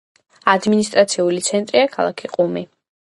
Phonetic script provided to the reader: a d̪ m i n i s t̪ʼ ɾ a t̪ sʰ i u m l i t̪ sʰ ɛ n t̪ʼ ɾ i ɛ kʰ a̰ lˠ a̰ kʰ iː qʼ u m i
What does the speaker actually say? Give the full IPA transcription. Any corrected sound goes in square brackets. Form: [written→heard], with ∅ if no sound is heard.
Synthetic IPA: a d̪ m i n i s t̪ʼ ɾ a t̪ sʰ i u [m→∅] l i t̪ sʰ ɛ n t̪ʼ ɾ i [ɛ→a] kʰ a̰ lˠ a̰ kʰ [iː→i] qʼ u m i